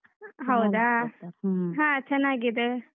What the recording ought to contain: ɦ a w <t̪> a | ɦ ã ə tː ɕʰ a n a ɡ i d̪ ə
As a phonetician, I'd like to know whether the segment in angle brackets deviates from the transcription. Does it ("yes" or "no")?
yes